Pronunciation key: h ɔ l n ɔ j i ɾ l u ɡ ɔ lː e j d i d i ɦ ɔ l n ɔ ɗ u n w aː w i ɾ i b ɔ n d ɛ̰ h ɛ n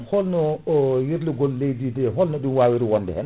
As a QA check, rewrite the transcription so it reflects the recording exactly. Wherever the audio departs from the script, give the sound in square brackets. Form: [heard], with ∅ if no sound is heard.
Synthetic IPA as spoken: h ɔ l n ɔ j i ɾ l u ɡ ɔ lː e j d i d [ɛ] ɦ ɔ l n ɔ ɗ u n w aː w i ɾ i [w] ɔ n d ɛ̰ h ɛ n